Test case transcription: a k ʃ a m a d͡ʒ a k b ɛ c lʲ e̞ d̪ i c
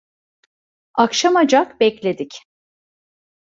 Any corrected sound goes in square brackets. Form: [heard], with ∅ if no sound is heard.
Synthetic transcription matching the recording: a k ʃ a m a d͡ʒ a k b ɛ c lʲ e̞ d̪ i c